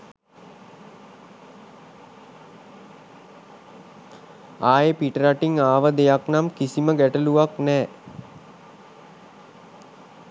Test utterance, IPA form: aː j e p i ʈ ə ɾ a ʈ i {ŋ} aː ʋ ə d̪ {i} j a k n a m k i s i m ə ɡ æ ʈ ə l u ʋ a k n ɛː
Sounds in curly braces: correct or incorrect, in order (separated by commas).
correct, incorrect